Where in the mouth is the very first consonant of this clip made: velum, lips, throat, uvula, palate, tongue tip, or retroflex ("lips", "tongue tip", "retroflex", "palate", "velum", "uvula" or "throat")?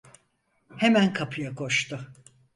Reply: throat